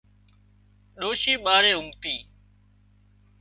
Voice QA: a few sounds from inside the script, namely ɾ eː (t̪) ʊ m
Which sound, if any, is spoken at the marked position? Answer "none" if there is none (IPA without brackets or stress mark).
none